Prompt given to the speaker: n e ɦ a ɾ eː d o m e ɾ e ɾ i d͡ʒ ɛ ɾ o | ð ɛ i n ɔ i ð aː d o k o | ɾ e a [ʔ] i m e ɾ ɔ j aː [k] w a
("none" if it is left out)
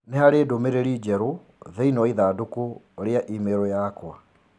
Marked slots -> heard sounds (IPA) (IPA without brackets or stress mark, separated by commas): ʔ, k